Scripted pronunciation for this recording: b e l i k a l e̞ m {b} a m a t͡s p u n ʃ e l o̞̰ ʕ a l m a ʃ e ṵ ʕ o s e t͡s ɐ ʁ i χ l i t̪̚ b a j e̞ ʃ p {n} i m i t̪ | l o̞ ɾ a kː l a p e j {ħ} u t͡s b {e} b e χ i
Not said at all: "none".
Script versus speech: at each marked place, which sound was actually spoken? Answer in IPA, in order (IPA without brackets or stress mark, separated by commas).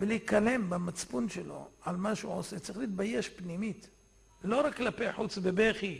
b, n, ħ, e